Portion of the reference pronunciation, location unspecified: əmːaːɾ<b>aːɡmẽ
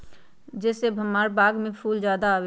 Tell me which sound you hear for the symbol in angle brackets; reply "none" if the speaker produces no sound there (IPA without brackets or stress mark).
b